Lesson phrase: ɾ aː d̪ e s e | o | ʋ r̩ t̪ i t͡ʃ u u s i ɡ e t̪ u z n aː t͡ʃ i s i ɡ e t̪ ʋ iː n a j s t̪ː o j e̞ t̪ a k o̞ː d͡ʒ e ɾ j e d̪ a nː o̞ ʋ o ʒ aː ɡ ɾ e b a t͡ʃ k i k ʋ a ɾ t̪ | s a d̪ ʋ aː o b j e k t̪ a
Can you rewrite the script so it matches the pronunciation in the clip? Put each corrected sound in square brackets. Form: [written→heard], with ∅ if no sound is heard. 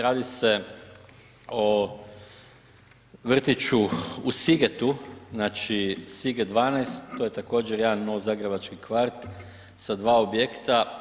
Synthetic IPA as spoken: ɾ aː d̪ [e→i] s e | o | ʋ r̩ t̪ i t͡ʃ u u s i ɡ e t̪ u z n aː t͡ʃ i s i ɡ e [t̪→d̪] ʋ [iː→aː] n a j s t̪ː o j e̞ t̪ a k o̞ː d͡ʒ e ɾ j e d̪ a nː o̞ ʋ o [ʒ→z] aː ɡ ɾ e b a t͡ʃ k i k ʋ a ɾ t̪ | s a d̪ ʋ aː o b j e k t̪ a